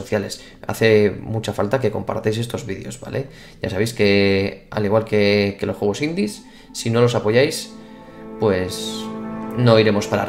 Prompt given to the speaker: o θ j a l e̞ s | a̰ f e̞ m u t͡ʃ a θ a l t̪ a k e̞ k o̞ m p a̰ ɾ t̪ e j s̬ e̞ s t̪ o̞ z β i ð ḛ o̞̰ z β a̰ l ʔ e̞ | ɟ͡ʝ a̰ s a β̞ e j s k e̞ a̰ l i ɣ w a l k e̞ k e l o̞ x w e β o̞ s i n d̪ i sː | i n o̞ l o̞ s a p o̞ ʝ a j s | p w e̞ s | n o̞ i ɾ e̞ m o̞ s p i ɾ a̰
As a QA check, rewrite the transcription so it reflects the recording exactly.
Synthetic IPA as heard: o θ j a l e̞ s | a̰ θ e̞ m u t͡ʃ a f a l t̪ a k e̞ k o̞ m p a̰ ɾ t̪ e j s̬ e̞ s t̪ o̞ z β i ð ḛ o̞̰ z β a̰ l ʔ e̞ | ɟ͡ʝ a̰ s a β̞ e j s k e̞ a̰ l i ɣ w a l k e̞ k e l o̞ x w e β o̞ s i n d̪ i sː | i n o̞ l o̞ s a p o̞ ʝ a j s | p w e̞ s | n o̞ i ɾ e̞ m o̞ s p a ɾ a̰